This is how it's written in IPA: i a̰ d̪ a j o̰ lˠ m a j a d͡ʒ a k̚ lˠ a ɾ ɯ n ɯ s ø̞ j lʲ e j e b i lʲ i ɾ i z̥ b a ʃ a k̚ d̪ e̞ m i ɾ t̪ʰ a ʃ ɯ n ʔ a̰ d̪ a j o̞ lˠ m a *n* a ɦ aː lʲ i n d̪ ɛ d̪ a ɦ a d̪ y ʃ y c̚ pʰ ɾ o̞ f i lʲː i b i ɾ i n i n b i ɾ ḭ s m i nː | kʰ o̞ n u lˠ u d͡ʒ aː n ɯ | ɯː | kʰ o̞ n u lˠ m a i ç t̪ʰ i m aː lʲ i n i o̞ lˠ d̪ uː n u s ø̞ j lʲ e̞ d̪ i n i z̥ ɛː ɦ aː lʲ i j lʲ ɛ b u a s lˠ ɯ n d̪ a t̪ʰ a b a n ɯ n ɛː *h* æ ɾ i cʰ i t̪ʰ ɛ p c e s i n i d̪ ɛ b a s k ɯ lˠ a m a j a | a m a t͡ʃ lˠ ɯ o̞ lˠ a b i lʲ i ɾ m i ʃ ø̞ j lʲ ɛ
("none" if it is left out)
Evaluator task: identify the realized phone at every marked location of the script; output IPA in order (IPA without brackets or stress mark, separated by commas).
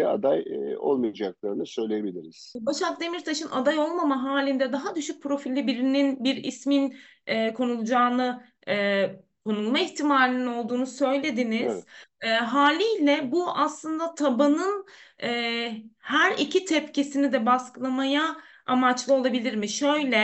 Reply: m, h